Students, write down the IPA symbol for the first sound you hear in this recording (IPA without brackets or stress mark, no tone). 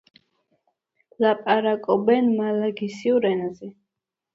l